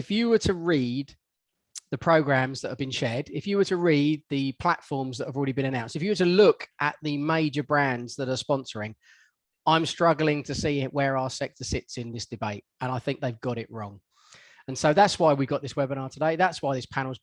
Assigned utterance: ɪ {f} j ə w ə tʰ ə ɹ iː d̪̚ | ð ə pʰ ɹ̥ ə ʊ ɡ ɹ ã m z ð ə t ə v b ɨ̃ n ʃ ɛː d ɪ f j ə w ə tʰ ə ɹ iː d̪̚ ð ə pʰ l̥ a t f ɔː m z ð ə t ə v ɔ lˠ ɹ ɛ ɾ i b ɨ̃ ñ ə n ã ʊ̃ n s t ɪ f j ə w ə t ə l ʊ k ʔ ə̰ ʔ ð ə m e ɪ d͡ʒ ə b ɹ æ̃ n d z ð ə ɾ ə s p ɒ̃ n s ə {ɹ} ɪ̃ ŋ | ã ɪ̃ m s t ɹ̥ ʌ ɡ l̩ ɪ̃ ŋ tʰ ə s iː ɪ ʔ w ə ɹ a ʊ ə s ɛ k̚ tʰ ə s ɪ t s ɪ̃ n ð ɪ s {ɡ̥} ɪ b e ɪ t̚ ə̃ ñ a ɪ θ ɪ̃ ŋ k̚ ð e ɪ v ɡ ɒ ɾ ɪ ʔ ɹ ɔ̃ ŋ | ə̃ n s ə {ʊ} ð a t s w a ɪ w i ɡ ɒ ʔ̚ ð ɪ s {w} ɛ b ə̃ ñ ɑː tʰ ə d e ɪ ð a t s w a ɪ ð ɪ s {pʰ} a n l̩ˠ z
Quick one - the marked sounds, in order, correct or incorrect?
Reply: correct, correct, incorrect, correct, correct, correct

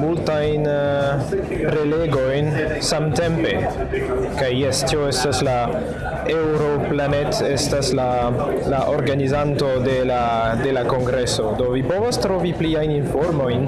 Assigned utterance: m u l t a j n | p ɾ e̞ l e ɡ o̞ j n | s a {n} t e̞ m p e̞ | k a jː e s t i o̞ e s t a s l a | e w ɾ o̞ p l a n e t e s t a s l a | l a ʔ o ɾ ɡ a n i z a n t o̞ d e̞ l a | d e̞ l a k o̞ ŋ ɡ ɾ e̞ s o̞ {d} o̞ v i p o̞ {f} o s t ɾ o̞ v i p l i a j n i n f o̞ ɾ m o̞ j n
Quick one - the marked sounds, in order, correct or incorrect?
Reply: incorrect, correct, incorrect

